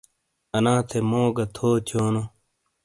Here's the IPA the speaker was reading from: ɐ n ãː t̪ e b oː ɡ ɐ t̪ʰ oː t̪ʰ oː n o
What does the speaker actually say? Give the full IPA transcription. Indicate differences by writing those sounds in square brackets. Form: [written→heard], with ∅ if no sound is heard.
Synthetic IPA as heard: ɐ n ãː [t̪→t̪ʰ] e [b→m] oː ɡ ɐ t̪ʰ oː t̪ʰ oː n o